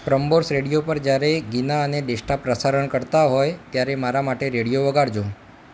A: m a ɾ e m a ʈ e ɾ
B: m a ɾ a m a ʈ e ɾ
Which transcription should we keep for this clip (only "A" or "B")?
B